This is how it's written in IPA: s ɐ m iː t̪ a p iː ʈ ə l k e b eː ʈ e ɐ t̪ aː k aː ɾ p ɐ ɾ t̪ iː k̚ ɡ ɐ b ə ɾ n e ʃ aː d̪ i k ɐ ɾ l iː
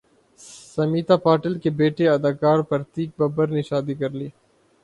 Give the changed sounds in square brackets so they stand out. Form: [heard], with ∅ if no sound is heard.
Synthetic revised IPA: s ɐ m iː t̪ a p [aː] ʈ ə l k e b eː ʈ e ɐ [d̪] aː k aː ɾ p ɐ ɾ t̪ iː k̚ [b] ɐ b ə ɾ n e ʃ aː d̪ i k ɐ ɾ l iː